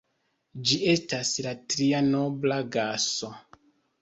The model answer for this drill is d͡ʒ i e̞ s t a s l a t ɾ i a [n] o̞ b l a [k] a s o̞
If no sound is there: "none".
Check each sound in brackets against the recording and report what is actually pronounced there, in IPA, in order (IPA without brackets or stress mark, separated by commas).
n, ɡ